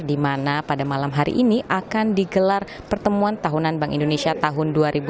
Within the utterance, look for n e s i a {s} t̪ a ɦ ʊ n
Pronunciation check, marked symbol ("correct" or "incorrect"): incorrect